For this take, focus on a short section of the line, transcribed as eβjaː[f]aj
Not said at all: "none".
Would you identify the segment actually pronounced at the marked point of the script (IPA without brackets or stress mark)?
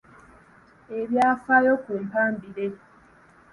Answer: f